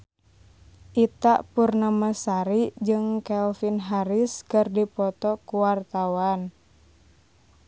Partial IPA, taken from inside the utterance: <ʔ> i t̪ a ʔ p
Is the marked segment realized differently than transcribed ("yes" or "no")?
no